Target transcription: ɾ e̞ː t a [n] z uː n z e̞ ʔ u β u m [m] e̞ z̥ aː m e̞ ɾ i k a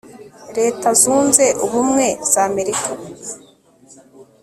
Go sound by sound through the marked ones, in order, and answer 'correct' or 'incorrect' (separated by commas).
incorrect, incorrect